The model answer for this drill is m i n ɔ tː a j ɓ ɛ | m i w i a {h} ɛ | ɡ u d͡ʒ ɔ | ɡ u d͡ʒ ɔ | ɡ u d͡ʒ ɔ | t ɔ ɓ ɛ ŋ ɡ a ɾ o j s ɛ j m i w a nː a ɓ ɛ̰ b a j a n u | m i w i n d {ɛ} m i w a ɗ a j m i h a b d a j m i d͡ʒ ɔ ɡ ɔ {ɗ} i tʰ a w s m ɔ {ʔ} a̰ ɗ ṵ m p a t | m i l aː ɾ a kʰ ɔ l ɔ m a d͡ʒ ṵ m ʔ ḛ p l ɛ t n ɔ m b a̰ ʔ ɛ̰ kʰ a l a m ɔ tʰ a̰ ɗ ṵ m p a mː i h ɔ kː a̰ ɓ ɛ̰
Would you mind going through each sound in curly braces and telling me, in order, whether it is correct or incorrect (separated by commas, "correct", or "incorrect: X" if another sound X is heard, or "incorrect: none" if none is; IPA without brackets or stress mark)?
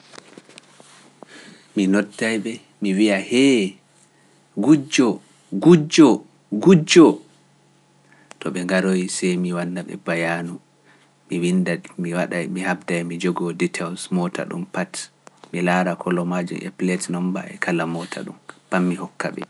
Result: correct, incorrect: a, incorrect: d, incorrect: t